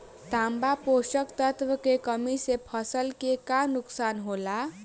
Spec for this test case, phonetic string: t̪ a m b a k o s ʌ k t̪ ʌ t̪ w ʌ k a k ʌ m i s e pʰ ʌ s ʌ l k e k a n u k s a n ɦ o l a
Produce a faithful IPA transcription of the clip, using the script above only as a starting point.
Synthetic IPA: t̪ a m b a p o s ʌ k t̪ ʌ t̪ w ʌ k e k ʌ m i s e pʰ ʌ s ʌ l k e k a n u k s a n ɦ o l a

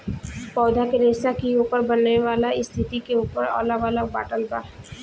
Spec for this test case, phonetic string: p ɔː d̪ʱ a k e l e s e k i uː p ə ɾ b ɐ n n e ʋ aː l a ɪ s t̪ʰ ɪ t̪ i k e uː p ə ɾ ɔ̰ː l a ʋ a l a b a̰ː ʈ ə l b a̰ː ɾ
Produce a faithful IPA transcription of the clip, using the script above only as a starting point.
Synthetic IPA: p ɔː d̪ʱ a k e ɾ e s a k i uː p ə ɾ b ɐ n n e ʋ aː l a ɪ s t̪ʰ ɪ t̪ i k e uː p ə ɾ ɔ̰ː l a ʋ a l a b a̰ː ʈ ə l b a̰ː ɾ

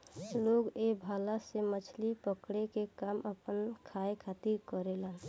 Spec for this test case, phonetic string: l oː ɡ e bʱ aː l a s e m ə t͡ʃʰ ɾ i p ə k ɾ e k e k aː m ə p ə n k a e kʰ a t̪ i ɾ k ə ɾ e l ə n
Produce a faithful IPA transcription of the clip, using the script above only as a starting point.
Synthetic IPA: l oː ɡ e bʱ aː l a s e m ə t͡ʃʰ l i p ə k ɽ e k e k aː m ə p ə n kʰ a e kʰ a t̪ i ɾ k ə ɾ e l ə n

